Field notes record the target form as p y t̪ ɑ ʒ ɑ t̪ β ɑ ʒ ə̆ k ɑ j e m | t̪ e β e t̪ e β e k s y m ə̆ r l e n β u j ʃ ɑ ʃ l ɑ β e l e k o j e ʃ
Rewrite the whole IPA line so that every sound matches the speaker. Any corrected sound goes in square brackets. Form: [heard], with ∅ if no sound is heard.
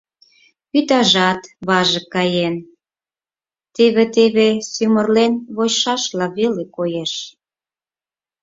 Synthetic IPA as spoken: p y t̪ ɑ ʒ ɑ t̪ β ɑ ʒ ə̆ k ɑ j e [n] | t̪ e β e t̪ e β e [∅] s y m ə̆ r l e n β [o] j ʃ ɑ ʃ l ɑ β e l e k o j e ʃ